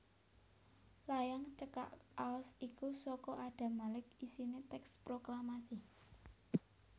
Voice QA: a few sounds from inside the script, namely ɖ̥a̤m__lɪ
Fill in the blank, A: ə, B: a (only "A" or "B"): B